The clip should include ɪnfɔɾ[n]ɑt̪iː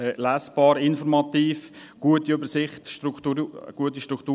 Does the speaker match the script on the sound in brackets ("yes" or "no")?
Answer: no